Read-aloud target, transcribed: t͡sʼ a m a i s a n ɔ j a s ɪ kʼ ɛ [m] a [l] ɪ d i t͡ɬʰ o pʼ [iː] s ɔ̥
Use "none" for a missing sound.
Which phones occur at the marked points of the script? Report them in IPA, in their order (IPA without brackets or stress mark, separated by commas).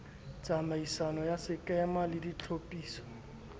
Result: m, l, iː